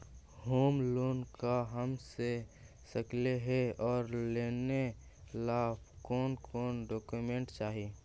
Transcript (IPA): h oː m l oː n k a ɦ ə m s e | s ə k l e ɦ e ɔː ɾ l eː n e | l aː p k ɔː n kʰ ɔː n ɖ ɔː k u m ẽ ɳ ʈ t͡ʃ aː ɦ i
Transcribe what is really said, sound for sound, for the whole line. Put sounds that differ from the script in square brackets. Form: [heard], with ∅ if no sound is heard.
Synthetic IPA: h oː m l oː n k a ɦ ə m s e | s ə k l e ɦ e ɔː ɾ l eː n e | l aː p k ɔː n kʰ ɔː n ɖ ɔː k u m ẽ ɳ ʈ t͡ʃ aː ɦ i